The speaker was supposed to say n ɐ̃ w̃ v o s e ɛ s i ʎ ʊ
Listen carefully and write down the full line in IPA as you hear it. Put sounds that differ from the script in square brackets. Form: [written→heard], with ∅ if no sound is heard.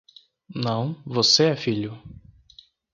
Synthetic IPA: n ɐ̃ w̃ v o s e ɛ [s→f] i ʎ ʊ